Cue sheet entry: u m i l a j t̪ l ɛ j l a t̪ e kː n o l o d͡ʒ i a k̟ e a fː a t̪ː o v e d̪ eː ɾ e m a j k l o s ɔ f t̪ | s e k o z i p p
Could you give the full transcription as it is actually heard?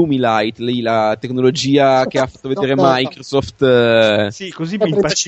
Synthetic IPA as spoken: u m i l a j t̪ l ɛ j l a t̪ e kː n o l o d͡ʒ iː a k̟ e a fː a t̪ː o v e d̪ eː ɾ e m a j k ɾ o s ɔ f t̪ | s i k o z i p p